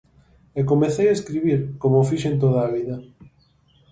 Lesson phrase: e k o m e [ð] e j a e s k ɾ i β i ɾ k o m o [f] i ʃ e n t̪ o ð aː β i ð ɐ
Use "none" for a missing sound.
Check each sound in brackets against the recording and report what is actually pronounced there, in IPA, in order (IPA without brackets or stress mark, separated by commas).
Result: θ, f